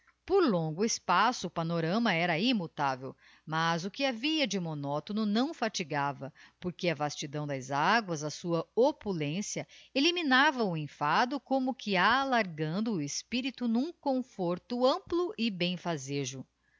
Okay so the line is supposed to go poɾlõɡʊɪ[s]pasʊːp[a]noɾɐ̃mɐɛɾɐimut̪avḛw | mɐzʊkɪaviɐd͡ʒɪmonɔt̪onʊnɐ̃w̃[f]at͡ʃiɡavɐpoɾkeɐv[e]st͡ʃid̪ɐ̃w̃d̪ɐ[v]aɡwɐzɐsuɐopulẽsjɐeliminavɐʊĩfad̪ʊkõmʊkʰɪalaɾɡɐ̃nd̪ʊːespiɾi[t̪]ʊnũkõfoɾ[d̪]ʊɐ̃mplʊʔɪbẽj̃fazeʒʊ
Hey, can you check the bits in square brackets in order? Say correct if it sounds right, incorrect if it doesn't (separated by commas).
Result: correct, correct, correct, incorrect, incorrect, correct, incorrect